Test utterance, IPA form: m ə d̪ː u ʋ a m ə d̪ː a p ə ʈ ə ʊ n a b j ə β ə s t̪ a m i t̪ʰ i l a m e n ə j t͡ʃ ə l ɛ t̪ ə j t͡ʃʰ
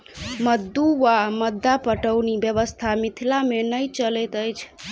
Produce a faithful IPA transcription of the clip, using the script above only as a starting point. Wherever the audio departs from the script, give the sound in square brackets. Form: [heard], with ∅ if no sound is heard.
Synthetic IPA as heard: m ə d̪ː u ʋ a m ə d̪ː a p ə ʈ ə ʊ n [i] b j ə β ə s [t̪ʰ] a m i t̪ʰ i l a m e n ə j t͡ʃ ə l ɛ t̪ ə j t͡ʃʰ